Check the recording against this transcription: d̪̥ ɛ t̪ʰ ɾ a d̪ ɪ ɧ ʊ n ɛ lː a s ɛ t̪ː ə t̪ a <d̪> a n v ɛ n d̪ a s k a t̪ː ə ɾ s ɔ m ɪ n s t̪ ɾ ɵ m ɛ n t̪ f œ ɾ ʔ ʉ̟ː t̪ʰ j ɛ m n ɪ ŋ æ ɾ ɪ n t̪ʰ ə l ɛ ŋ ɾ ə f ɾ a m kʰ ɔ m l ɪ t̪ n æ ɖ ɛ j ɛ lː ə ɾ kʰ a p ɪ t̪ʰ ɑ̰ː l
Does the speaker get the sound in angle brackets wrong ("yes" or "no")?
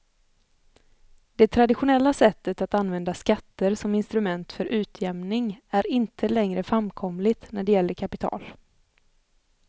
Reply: yes